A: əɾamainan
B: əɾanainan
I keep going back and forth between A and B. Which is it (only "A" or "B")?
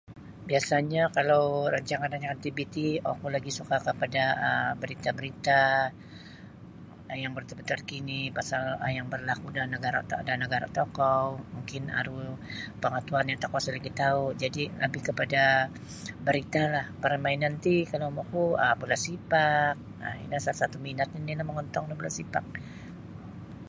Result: A